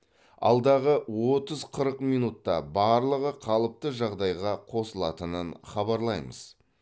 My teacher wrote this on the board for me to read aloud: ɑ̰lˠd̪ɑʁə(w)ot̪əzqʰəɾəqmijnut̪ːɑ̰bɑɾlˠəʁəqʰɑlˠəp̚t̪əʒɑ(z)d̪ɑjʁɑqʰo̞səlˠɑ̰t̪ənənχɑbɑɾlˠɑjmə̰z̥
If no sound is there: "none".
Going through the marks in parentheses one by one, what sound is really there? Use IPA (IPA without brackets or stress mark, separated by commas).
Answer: w, ʁ